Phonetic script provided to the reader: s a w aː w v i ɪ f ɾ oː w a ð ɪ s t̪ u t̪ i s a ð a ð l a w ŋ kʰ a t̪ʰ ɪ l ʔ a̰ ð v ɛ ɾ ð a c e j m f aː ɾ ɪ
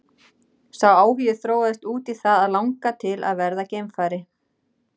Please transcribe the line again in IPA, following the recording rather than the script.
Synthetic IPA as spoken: s a w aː w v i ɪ θ ɾ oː w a ð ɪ s t̪ uː t̪ i θ a ð a ð l a w ŋ k a t̪ʰ ɪ l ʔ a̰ ð v ɛ ɾ ð a c e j m f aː ɾ ɪ